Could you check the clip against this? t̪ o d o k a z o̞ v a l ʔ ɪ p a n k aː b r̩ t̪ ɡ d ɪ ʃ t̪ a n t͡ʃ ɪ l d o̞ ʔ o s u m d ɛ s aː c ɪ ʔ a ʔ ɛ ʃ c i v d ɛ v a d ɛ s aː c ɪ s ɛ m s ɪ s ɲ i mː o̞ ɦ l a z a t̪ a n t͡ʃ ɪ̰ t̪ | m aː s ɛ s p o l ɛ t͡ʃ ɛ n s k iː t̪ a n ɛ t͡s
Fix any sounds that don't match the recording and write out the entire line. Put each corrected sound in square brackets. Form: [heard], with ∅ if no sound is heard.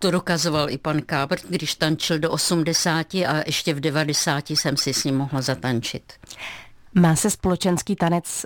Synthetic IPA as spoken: t̪ o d o k a z o̞ v a l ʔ ɪ p a n k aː b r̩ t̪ ɡ d ɪ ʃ t̪ a n t͡ʃ ɪ l d o̞ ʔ o s u m d ɛ s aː c ɪ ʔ a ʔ ɛ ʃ c [ɛ] v d ɛ v a d ɛ s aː c ɪ s ɛ m s ɪ s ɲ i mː o̞ ɦ l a z a t̪ a n t͡ʃ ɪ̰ t̪ | m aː s ɛ s p o l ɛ t͡ʃ ɛ n s k iː t̪ a n ɛ t͡s